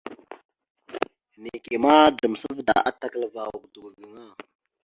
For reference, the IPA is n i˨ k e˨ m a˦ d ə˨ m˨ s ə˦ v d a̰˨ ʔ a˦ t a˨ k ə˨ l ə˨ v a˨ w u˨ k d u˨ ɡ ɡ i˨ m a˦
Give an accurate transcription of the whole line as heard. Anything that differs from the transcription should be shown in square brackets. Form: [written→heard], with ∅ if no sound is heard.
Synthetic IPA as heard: n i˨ k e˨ m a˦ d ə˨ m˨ s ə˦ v d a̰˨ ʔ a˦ t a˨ k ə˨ l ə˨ v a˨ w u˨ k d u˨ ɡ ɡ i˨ [m→ŋ] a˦

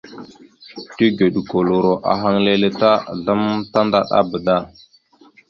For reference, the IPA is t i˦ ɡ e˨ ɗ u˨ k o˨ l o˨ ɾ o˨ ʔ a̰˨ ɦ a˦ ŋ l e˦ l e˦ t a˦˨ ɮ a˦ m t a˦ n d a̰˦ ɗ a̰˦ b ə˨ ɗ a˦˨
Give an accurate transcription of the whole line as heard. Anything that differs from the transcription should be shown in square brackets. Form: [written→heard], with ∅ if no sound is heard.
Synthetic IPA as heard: t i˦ ɡ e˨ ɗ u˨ k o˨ l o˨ ɾ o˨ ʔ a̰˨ ɦ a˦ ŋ l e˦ l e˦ t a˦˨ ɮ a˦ m t a˦ n d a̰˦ ɗ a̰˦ b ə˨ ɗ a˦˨

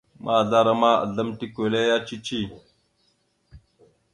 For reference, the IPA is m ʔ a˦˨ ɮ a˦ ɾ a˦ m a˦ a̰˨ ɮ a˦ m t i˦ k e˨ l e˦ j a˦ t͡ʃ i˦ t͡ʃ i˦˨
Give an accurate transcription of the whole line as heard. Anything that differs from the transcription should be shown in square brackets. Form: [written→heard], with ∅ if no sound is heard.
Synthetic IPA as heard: m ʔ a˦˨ ɮ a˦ ɾ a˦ m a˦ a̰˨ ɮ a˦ m t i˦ k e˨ l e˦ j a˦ t͡ʃ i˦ t͡ʃ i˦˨

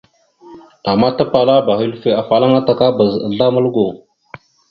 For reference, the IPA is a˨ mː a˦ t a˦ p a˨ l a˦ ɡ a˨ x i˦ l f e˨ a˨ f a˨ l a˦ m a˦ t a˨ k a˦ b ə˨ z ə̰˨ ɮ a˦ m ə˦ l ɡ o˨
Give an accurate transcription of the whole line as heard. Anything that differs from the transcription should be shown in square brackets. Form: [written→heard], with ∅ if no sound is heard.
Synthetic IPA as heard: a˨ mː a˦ t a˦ p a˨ l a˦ [ɡ→b] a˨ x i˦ l f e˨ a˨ f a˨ l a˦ [m→ŋ] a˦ t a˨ k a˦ b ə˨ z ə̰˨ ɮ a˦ m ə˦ l ɡ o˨

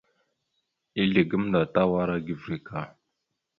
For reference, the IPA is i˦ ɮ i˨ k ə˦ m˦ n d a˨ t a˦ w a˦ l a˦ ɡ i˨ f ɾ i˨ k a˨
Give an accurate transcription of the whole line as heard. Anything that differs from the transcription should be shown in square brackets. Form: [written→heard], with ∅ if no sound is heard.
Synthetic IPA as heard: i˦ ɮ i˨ [k→ɡ] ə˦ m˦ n d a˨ t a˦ w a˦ [l→ɾ] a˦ ɡ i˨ [f→v] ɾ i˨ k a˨

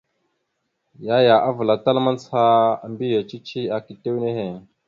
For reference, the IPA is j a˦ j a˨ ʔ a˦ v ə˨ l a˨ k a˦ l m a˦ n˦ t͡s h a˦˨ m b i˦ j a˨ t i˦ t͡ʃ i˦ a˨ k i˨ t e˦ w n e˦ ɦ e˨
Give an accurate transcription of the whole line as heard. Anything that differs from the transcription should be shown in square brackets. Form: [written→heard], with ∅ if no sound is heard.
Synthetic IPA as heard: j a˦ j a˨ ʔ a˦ v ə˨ l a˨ [k→t] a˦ l m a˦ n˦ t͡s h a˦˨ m b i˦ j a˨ [t→t͡ʃ] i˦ t͡ʃ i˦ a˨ k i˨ t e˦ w n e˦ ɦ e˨

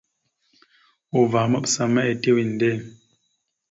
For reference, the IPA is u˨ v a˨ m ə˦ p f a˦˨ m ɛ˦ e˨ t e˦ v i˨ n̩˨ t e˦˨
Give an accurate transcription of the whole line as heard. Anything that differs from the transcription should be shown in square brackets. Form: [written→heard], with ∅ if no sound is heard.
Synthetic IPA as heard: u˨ v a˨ m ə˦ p [f→s] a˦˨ m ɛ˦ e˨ t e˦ [v→w] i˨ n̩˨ [t→d] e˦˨

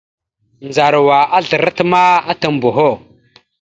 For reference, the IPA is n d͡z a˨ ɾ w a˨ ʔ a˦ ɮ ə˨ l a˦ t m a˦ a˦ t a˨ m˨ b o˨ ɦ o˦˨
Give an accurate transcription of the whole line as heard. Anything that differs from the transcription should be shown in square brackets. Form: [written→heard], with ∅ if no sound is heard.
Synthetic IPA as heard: n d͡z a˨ ɾ w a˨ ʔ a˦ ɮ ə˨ [l→ɾ] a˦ t m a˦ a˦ t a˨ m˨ b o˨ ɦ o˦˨

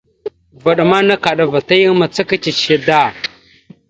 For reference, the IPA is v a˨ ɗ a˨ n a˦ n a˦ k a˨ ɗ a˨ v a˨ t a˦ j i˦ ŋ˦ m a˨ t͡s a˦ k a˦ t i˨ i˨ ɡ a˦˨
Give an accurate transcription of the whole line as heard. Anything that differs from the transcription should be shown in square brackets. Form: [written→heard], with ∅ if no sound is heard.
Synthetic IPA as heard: v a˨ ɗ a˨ [n→m] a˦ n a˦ k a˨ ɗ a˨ v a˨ t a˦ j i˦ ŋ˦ m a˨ t͡s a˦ k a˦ [t→t͡ʃ] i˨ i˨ [ɡ→d] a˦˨

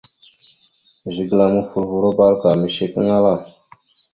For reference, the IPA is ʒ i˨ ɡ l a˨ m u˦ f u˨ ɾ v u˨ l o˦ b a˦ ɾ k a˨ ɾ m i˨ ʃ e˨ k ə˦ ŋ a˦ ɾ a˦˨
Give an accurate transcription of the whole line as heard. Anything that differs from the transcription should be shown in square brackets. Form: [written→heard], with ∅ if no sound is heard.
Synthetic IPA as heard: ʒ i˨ ɡ l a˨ m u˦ f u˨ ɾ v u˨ [l→ɾ] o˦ b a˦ ɾ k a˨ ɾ m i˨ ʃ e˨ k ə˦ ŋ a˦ [ɾ→l] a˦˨

